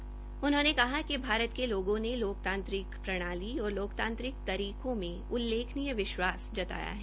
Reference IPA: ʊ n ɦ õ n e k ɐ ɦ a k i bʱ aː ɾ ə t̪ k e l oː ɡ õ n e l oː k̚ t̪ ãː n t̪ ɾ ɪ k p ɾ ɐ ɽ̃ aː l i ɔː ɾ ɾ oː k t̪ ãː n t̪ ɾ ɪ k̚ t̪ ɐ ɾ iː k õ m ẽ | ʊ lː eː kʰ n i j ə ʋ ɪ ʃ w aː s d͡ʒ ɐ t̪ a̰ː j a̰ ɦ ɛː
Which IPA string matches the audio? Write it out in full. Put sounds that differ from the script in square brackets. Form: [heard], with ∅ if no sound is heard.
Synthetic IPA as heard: ʊ n ɦ õ n e k ɐ ɦ a k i bʱ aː ɾ ə t̪ k e l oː ɡ õ n e l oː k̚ t̪ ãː n t̪ ɾ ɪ k p ɾ ɐ ɽ̃ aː l i ɔː ɾ [l] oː k t̪ ãː n t̪ ɾ ɪ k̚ t̪ ɐ ɾ iː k õ m ẽ | ʊ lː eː kʰ n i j ə ʋ ɪ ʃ w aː s d͡ʒ ɐ t̪ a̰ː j a̰ ɦ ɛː

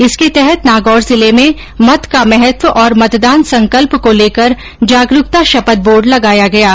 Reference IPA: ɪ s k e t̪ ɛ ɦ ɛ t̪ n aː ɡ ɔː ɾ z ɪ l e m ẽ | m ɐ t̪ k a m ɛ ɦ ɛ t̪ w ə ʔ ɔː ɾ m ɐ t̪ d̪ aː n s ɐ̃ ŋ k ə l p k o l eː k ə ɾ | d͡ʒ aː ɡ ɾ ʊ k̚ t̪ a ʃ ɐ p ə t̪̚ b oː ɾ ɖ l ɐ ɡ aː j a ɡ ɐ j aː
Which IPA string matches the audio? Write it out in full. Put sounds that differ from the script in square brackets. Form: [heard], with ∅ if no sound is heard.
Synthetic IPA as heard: ɪ s k e t̪ ɛ ɦ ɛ t̪ n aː ɡ ɔː ɾ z ɪ l e m ẽ | m ɐ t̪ k a m ɛ ɦ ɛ t̪ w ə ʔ ɔː ɾ m ɐ t̪ d̪ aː n s ɐ̃ ŋ k ə l p k o l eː k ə ɾ | d͡ʒ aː ɡ ɾ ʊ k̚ t̪ a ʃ ɐ p ə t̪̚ b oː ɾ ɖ l ɐ ɡ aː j a ɡ ɐ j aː

